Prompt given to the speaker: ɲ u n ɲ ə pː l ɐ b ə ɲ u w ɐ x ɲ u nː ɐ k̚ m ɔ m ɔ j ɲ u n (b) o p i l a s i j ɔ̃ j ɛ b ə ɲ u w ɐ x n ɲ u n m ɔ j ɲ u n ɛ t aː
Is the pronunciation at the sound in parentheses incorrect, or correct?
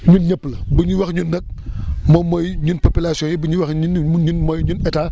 incorrect